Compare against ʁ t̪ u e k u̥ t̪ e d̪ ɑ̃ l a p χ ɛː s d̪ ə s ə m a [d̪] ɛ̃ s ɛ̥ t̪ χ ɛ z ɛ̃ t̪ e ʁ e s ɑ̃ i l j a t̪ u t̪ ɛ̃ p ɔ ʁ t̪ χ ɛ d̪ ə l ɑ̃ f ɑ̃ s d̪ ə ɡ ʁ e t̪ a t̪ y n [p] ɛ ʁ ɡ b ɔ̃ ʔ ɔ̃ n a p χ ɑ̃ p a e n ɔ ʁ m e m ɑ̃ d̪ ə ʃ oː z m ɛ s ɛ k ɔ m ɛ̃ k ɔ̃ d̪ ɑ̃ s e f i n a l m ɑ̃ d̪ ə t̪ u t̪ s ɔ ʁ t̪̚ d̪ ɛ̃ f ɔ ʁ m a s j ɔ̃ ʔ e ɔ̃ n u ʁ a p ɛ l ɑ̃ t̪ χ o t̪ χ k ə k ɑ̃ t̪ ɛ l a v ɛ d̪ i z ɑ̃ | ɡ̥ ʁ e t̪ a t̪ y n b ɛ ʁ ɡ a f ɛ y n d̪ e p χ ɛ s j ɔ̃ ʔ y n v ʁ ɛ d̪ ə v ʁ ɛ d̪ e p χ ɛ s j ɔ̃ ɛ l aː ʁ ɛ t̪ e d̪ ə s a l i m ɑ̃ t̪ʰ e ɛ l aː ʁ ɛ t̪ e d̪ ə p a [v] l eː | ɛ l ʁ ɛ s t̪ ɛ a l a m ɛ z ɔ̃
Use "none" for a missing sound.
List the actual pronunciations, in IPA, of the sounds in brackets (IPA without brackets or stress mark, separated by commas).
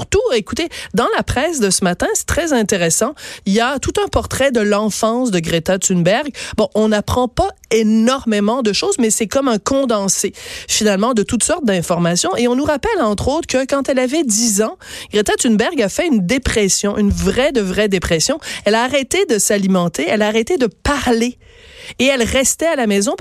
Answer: t̪, b, ʁ